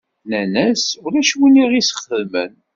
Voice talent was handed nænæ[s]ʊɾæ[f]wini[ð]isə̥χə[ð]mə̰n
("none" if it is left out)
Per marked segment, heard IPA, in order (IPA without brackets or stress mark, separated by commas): s, ʃ, ʁ, ð